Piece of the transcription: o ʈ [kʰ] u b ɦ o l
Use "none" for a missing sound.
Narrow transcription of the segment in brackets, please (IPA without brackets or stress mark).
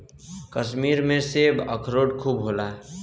kʰ